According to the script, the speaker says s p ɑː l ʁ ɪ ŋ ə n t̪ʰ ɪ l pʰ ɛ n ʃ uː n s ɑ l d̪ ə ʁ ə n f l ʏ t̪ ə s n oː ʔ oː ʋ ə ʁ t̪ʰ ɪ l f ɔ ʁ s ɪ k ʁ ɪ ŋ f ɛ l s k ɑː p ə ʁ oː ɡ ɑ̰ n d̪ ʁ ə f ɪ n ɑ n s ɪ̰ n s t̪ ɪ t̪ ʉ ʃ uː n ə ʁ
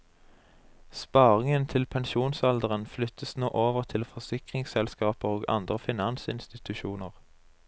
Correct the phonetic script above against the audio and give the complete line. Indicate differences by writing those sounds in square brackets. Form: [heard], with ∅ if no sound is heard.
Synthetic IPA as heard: s p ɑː [∅] ʁ ɪ ŋ ə n t̪ʰ ɪ l pʰ ɛ n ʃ uː n s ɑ l d̪ ə ʁ ə n f l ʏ t̪ ə s n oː ʔ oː ʋ ə ʁ t̪ʰ ɪ l f ɔ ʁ s ɪ k ʁ ɪ ŋ [s] ɛ l s k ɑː p ə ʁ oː ɡ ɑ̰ n d̪ ʁ ə f ɪ n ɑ n s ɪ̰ n s t̪ ɪ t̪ ʉ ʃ uː n ə ʁ